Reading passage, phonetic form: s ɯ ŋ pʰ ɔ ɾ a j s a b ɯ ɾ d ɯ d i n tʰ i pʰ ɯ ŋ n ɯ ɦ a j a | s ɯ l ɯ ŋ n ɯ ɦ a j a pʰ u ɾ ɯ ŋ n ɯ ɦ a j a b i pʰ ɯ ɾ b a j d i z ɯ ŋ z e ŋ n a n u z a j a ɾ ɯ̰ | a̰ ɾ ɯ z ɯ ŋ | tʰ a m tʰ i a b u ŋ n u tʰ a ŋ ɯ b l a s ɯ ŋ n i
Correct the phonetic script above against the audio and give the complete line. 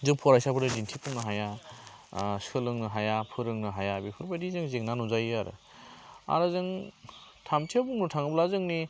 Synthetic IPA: z ɯ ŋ pʰ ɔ ɾ a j s a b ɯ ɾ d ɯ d i n tʰ i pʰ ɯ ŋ n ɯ ɦ a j a | s ɯ l ɯ ŋ n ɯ ɦ a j a pʰ ɯ ɾ ɯ ŋ n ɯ ɦ a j a b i pʰ ɯ ɾ b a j d i z ɯ ŋ z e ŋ n a n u z a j a ɾ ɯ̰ | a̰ ɾ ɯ z ɯ ŋ | tʰ a m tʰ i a b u ŋ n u tʰ a ŋ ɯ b l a z ɯ ŋ n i